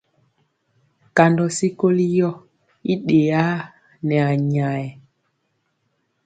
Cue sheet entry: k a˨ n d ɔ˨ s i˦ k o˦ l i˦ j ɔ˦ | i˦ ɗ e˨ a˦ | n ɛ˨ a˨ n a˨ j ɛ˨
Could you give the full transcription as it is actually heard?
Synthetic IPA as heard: k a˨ n d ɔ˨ s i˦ k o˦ l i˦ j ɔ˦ | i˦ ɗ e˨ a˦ | n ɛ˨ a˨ ɲ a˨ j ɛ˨

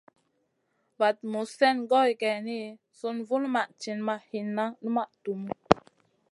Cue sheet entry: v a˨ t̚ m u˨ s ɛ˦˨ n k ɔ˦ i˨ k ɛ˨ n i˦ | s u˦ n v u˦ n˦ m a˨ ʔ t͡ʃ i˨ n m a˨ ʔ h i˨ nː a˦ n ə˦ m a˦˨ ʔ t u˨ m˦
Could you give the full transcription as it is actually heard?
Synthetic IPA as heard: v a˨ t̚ m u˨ s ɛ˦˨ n ɡ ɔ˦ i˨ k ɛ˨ n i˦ | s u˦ n v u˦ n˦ m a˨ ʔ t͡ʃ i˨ n m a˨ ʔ h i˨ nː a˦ n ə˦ m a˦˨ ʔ t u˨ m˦

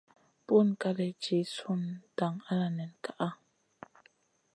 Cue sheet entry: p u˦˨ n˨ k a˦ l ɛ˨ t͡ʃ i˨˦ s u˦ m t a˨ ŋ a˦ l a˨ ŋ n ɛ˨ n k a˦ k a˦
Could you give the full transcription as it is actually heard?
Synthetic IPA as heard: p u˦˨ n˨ k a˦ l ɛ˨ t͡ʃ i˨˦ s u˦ n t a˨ ŋ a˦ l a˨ n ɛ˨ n k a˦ ʔ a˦

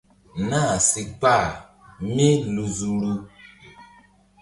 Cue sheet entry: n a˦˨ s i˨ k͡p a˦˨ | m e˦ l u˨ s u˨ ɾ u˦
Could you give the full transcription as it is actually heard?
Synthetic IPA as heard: n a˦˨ s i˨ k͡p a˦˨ | m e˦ l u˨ z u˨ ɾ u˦

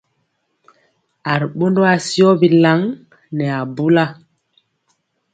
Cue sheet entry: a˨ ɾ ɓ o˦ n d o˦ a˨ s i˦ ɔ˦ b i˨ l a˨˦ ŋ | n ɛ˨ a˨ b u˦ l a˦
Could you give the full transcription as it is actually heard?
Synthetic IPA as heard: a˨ ɾ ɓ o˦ n d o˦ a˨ s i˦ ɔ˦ b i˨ l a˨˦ ŋ | n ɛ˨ a˨ b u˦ l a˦

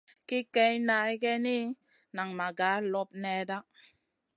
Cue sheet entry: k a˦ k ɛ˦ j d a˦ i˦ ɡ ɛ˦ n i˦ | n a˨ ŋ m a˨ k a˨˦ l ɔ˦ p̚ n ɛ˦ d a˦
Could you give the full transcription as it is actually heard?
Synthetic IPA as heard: k i˦ k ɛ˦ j n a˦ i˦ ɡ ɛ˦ n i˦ | n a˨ ŋ m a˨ ɡ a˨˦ l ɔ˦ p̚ n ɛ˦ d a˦

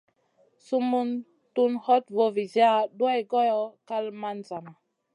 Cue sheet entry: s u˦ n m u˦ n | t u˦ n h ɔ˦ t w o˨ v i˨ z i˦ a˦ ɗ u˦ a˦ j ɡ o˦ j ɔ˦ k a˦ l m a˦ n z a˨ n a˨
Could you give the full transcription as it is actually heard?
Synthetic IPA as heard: s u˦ m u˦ n | t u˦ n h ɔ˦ t v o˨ v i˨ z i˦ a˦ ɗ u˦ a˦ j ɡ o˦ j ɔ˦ k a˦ l m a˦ n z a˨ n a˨

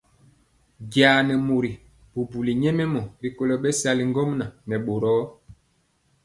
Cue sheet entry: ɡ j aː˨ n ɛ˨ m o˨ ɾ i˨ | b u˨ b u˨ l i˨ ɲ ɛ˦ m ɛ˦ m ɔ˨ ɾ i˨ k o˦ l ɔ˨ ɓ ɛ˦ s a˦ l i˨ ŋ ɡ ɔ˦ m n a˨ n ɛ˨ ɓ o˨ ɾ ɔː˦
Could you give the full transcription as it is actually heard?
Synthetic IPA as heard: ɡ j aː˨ n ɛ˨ m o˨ ɾ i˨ | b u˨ b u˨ l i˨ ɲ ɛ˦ m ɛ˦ m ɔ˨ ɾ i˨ k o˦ l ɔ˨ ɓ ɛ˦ s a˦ l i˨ ŋ ɡ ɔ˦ m n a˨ n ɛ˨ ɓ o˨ ɾ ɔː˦

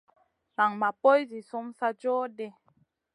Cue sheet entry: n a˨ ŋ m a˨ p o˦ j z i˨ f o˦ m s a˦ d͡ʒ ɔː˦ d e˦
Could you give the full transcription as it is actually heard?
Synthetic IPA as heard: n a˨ ŋ m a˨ p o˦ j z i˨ s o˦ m s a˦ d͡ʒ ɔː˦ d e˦

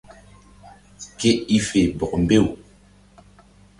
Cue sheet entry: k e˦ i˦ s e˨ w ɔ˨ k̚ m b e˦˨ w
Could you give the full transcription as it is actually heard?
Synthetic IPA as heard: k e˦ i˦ f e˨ b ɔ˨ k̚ m b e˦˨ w

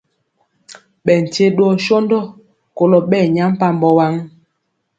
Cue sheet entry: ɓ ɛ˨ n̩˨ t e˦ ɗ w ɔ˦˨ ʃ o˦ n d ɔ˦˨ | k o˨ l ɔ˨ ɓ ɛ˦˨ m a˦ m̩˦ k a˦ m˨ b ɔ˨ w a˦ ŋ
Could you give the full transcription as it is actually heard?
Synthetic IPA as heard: ɓ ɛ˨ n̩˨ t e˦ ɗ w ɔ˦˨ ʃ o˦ n d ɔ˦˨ | k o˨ l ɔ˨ ɓ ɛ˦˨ ɲ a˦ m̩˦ p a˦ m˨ b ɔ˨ w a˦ ŋ

